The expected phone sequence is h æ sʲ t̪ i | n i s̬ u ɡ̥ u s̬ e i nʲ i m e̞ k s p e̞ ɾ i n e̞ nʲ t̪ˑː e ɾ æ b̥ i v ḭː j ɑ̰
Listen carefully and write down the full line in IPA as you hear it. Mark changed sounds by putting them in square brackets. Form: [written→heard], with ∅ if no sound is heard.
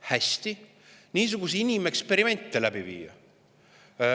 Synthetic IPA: h æ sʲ t̪ i | n [i→iː] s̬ u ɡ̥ u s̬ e i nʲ i m e̞ k s p e̞ ɾ i [n→m] e̞ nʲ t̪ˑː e [ɾ→l] æ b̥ i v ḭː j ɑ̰